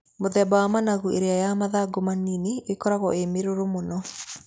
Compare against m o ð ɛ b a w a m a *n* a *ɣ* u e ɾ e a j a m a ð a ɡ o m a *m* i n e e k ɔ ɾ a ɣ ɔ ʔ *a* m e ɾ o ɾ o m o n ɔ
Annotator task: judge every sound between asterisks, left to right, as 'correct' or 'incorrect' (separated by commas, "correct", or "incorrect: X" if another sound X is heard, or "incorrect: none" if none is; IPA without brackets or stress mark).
correct, correct, incorrect: n, incorrect: e